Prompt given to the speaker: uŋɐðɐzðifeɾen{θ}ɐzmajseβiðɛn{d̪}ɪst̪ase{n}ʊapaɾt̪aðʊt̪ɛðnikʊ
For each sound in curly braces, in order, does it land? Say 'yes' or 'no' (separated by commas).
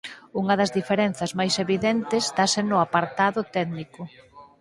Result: yes, no, yes